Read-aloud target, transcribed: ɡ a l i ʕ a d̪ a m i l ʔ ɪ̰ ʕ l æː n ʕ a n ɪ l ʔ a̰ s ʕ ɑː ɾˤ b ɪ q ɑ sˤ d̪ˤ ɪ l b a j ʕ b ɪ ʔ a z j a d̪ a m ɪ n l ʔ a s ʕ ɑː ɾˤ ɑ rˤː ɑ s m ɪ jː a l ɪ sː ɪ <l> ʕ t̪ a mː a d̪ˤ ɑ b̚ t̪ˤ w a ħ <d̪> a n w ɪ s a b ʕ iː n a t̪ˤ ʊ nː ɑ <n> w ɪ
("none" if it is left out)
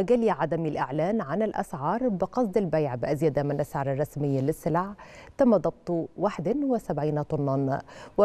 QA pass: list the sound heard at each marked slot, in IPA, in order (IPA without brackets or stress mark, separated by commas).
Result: l, d̪, n